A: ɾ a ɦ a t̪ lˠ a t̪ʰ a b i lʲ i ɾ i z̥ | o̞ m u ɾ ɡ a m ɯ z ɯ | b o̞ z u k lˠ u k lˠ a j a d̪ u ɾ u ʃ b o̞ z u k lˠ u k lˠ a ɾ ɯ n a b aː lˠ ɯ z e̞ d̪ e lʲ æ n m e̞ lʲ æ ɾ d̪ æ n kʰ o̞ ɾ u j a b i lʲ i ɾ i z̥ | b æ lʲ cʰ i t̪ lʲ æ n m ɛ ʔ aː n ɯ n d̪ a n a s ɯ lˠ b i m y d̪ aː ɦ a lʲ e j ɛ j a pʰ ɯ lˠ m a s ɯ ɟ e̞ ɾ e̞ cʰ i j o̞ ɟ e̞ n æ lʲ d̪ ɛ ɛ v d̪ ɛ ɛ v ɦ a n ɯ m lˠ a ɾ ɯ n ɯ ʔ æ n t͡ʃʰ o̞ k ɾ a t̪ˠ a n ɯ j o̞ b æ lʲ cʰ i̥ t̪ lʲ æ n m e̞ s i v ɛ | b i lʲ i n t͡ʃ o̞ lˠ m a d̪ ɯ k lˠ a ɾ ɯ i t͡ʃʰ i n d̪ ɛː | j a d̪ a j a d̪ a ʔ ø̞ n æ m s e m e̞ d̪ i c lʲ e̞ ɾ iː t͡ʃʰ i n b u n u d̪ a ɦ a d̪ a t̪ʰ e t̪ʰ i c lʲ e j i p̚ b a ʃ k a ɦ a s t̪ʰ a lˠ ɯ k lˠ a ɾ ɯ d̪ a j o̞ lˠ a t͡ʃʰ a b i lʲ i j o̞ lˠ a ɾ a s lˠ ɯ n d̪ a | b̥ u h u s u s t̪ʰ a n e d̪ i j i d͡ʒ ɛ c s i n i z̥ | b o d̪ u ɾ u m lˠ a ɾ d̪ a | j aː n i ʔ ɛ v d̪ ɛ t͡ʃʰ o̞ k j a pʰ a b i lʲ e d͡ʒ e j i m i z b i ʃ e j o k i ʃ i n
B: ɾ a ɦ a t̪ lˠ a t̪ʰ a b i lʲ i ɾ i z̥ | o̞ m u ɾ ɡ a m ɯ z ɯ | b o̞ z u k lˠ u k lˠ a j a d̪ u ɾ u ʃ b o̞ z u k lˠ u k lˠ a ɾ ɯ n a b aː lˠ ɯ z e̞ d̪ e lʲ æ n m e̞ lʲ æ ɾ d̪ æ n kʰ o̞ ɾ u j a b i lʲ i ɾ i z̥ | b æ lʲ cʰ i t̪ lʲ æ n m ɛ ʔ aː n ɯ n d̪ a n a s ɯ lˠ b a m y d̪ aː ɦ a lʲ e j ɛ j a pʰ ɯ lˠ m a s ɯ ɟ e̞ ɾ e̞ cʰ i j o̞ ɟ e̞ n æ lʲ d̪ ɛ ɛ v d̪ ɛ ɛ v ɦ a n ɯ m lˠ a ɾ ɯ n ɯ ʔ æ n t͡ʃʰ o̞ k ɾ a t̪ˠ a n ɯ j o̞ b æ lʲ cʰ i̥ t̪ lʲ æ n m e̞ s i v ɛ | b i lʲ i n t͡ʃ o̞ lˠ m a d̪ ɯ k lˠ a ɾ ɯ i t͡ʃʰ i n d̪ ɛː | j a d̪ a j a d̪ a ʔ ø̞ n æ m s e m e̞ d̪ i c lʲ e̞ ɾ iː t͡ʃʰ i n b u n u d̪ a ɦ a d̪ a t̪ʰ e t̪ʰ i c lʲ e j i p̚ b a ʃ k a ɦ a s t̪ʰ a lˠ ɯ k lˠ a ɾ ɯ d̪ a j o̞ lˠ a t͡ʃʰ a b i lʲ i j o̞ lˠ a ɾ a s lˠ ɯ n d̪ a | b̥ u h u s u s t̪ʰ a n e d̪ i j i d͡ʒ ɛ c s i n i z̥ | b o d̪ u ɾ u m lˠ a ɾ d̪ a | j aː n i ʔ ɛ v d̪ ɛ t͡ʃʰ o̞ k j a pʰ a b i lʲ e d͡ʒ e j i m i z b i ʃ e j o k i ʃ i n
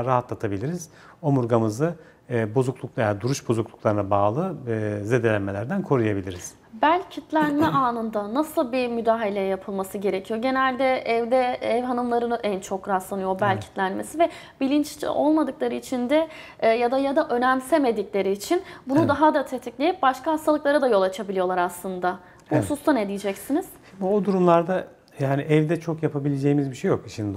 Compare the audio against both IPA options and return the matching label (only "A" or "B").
A